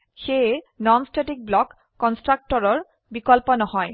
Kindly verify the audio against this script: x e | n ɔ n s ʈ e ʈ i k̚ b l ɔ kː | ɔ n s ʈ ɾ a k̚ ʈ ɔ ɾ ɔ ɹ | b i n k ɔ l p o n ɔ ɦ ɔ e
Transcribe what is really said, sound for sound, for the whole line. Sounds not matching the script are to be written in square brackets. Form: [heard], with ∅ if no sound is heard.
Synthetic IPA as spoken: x e | n ɔ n s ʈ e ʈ i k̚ b l ɔ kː | ɔ n s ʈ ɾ a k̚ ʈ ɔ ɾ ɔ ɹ | b i [∅] k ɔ l p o n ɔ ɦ ɔ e